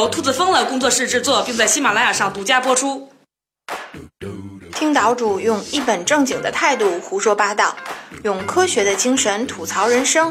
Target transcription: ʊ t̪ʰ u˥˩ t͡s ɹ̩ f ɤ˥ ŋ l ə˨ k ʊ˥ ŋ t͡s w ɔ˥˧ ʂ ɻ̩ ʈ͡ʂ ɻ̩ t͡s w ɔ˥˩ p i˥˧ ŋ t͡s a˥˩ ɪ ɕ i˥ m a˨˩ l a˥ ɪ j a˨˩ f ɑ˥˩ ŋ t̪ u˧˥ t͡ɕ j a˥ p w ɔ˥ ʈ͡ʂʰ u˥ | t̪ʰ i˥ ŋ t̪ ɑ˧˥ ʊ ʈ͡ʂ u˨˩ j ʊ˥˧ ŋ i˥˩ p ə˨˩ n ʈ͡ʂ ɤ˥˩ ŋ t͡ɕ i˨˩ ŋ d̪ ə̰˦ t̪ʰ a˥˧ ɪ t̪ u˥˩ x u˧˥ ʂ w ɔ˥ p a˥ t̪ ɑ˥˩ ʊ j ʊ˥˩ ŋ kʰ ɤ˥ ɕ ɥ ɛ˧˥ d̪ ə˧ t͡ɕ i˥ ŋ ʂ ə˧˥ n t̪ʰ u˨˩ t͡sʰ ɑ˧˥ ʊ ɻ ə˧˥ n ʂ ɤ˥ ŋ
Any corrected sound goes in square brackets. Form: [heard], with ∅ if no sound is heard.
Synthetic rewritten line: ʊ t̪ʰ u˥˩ t͡s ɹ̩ f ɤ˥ ŋ l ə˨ k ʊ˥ ŋ t͡s w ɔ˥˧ ʂ ɻ̩ ʈ͡ʂ ɻ̩ t͡s w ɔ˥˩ p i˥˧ ŋ t͡s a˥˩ ɪ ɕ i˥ m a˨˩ l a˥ ɪ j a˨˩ [ʂ] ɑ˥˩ ŋ t̪ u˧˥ t͡ɕ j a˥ p w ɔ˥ ʈ͡ʂʰ u˥ | t̪ʰ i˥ ŋ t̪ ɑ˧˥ ʊ ʈ͡ʂ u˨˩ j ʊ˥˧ ŋ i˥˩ p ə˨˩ n ʈ͡ʂ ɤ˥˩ ŋ t͡ɕ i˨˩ ŋ d̪ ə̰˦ t̪ʰ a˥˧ ɪ t̪ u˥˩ x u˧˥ ʂ w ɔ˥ p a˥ t̪ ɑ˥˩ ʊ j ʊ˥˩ ŋ kʰ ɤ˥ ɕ ɥ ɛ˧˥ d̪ ə˧ t͡ɕ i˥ ŋ ʂ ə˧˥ n t̪ʰ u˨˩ t͡sʰ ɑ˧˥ ʊ ɻ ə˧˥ n ʂ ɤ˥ ŋ